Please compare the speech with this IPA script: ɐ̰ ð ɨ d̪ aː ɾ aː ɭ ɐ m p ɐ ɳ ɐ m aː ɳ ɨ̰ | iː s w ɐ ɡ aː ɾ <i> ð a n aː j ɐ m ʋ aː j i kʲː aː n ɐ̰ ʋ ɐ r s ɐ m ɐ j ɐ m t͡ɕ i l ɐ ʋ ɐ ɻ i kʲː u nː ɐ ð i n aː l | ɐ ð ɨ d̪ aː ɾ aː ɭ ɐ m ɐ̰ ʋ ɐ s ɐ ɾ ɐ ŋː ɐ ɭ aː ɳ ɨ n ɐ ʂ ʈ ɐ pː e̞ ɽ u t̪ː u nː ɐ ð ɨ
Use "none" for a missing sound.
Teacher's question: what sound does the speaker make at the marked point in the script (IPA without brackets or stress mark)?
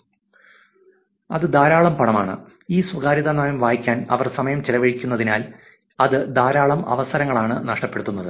i